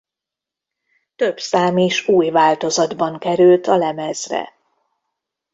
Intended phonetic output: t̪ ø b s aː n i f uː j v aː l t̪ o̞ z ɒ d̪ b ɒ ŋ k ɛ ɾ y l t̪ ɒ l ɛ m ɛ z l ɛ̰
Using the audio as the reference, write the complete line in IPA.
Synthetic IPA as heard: t̪ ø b s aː m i ʃ uː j v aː l t̪ o̞ z ɒ d̪ b ɒ ŋ k ɛ ɾ y l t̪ ɒ l ɛ m ɛ z r ɛ̰